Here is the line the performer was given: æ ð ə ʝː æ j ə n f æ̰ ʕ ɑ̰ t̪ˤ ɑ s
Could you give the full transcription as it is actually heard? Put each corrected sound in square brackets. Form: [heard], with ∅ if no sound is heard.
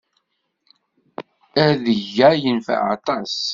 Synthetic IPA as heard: æ ð ə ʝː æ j ə n f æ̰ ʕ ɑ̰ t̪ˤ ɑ s